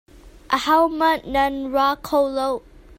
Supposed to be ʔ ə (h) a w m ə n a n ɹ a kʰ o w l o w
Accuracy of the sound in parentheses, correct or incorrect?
correct